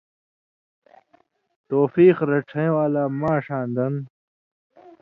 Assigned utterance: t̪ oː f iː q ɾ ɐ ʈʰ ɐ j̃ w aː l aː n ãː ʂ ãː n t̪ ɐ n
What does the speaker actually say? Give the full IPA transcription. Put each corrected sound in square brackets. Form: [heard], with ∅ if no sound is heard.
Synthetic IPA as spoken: t̪ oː f iː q ɾ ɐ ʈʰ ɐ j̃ w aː l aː [m] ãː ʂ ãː n [d̪] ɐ n